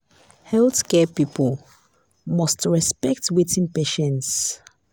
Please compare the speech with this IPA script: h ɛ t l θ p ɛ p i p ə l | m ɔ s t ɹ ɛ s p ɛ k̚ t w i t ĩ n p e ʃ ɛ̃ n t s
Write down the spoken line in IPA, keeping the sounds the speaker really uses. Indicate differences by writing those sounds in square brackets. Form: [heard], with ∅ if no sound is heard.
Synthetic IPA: h ɛ [∅] l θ [k] ɛ p i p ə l | m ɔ s t ɹ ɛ s p ɛ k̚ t w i t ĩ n p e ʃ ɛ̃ n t s